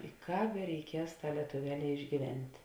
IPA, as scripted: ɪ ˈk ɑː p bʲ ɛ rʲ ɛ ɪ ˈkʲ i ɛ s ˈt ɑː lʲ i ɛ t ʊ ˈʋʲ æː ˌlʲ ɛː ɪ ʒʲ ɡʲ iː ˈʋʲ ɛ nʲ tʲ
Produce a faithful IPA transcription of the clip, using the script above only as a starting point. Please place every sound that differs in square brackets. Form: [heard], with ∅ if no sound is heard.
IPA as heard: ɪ ˈk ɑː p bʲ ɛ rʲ ɛ ɪ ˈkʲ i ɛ s ˈt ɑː lʲ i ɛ t ʊ ˈʋʲ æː ˌlʲ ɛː ɪ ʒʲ ɡʲ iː ˈʋʲ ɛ nʲ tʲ